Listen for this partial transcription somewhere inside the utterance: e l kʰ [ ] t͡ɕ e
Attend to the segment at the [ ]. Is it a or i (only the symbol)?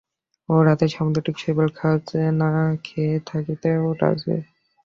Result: a